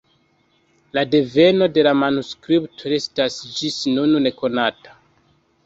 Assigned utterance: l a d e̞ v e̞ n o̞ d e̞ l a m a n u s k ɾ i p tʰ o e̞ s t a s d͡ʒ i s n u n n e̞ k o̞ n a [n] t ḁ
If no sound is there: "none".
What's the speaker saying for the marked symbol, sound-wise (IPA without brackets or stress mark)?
none